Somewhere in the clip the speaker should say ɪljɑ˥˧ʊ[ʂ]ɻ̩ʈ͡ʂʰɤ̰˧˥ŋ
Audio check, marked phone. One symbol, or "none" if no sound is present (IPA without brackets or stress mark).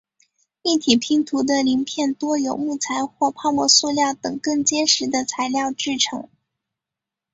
ʈ͡ʂ